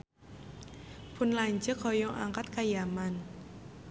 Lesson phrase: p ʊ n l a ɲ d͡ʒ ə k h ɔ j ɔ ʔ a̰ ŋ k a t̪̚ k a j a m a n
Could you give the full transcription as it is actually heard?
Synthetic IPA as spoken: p ʊ n l a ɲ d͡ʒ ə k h ɔ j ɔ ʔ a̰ ŋ k a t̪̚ k a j a m a n